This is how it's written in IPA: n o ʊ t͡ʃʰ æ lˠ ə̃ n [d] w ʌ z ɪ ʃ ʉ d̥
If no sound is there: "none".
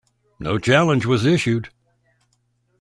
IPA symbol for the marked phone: d͡ʒ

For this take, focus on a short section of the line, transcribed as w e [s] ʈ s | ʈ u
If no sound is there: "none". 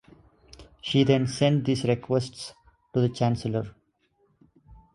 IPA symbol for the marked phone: s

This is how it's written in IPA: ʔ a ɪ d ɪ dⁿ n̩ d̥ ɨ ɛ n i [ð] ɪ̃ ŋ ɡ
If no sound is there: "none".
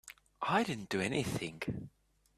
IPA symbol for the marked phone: θ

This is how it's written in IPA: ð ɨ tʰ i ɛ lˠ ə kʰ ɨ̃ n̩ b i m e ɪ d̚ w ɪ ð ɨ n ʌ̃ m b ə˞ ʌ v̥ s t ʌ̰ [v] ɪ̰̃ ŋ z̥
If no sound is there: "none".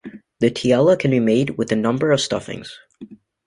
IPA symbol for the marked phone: f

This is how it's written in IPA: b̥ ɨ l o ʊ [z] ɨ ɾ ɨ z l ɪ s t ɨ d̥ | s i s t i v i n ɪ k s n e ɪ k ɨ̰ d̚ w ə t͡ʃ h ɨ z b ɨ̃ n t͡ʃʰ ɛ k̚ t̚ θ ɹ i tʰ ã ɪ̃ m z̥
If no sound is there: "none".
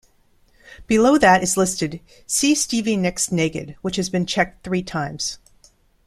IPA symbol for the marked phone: ð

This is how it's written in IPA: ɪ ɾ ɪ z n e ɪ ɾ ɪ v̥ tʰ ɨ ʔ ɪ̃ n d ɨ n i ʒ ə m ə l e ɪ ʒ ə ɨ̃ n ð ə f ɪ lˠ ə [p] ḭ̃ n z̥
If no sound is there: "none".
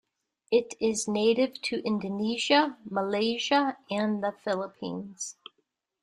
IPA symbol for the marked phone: pʰ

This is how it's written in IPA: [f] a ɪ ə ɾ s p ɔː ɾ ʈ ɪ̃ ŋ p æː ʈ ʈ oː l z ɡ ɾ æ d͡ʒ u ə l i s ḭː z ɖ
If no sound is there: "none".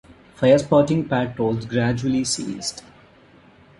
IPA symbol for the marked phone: f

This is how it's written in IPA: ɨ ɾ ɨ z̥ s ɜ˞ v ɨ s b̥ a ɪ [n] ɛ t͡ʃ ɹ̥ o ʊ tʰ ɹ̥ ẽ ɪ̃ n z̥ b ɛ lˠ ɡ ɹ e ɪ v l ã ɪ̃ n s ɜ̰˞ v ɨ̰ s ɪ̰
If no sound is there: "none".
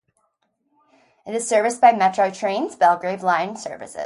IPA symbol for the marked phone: m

